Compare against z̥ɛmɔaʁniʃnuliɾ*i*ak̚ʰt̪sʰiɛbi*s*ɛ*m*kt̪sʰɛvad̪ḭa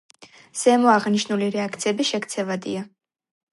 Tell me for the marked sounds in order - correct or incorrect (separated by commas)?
incorrect, incorrect, incorrect